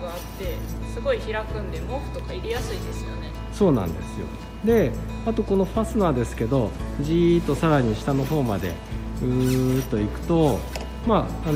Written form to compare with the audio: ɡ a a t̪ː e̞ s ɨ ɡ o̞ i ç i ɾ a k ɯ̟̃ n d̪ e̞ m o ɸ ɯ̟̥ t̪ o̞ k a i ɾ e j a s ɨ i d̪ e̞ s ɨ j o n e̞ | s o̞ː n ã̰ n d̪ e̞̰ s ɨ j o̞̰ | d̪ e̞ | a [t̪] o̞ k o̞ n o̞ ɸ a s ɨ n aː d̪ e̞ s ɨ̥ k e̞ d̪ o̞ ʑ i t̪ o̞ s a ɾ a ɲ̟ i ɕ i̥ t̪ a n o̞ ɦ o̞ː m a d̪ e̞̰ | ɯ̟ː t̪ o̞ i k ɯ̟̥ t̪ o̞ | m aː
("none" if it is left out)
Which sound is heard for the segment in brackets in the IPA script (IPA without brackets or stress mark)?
t̪